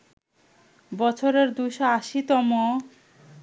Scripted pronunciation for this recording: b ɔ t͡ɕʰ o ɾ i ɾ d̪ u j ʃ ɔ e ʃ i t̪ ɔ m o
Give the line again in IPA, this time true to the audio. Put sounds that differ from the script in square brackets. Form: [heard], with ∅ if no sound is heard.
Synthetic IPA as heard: b ɔ t͡ɕʰ o ɾ [e] ɾ d̪ u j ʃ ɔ [a] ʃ i t̪ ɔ m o